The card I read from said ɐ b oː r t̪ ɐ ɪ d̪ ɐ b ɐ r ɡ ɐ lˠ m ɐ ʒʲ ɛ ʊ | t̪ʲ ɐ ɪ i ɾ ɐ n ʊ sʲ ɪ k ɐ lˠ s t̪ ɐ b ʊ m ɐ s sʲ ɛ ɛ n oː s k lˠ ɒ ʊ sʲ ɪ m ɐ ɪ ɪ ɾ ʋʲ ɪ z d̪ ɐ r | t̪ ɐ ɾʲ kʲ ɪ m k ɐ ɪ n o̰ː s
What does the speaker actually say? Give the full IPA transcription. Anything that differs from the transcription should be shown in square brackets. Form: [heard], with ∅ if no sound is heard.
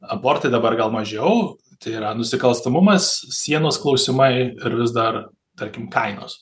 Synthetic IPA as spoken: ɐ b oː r t̪ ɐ ɪ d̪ ɐ b ɐ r ɡ ɐ lˠ m ɐ ʒʲ ɛ ʊ | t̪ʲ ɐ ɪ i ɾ ɐ n ʊ sʲ ɪ k ɐ lˠ s t̪ ɐ [m] ʊ m ɐ s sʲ [i] ɛ n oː s k lˠ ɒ ʊ sʲ ɪ m ɐ ɪ ɪ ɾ ʋʲ ɪ z d̪ ɐ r | t̪ ɐ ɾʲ kʲ ɪ m k ɐ ɪ n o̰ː s